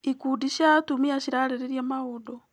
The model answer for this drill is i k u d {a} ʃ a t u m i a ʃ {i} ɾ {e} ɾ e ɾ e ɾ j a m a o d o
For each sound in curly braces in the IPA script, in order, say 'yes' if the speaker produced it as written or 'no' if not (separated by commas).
no, yes, no